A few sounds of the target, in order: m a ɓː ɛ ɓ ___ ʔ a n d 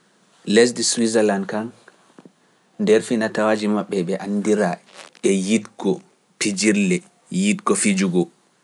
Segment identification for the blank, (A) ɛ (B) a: A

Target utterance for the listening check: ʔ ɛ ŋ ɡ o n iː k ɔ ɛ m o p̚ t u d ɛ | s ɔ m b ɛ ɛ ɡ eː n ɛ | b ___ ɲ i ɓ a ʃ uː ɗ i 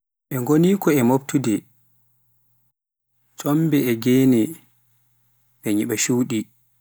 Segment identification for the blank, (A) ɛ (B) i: A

